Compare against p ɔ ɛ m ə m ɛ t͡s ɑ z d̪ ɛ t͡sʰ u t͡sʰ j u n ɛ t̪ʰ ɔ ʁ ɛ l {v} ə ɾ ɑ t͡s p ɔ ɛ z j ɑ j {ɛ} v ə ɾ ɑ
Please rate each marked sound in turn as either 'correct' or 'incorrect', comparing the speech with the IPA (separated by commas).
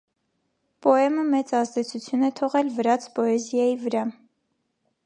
correct, incorrect